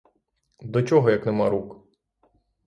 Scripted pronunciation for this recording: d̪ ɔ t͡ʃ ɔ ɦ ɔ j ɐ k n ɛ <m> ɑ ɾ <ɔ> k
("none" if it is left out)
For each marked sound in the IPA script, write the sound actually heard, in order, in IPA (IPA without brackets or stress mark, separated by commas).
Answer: m, u